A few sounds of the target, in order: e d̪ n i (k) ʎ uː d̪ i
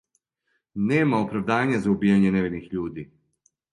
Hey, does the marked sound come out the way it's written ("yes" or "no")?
no